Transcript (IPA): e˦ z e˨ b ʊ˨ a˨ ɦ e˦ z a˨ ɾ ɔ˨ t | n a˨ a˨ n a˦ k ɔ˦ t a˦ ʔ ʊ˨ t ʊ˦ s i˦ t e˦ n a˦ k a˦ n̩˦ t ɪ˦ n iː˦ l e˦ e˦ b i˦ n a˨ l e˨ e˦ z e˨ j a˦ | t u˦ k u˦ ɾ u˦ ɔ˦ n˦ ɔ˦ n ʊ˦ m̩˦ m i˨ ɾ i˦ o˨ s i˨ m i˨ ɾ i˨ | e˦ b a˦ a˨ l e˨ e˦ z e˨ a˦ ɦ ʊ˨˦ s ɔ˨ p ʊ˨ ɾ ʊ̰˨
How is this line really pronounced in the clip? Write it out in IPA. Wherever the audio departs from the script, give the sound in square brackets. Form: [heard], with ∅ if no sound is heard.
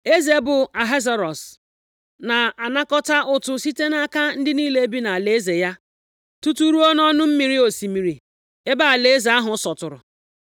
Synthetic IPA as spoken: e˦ z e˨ b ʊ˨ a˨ ɦ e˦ z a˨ ɾ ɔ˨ [s] | n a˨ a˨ n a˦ k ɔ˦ t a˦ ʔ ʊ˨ t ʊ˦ s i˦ t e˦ n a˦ k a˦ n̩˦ [d] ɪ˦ n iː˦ l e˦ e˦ b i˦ n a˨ l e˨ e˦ z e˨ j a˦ | t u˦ [t] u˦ ɾ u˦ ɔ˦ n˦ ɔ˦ n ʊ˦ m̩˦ m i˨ ɾ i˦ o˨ s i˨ m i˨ ɾ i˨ | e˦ b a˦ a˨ l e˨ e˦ z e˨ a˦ ɦ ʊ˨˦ s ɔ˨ [t] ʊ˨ ɾ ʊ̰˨